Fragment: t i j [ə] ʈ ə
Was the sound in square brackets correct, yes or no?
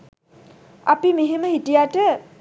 no